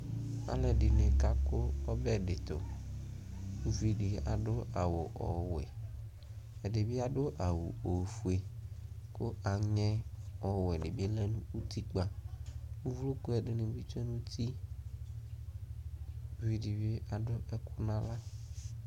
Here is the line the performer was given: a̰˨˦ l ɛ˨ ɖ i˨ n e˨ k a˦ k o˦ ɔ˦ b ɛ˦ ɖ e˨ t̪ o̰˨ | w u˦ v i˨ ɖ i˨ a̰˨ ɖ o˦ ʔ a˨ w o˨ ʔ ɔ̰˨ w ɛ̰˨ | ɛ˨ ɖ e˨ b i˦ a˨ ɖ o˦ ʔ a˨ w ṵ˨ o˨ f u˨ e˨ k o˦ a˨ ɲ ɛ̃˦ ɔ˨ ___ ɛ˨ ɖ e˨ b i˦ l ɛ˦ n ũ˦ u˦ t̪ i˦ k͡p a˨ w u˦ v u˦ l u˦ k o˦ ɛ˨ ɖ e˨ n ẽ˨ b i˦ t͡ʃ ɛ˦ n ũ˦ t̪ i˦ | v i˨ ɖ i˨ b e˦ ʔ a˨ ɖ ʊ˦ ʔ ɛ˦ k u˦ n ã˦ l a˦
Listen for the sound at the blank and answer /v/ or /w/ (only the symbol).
w